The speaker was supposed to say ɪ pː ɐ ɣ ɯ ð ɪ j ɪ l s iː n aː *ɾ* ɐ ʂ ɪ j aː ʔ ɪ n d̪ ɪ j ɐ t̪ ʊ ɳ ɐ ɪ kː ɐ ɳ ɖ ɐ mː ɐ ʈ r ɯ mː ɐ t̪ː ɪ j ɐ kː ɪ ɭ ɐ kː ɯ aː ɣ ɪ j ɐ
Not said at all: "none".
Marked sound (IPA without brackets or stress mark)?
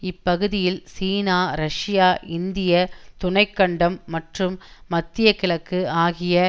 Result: ɾ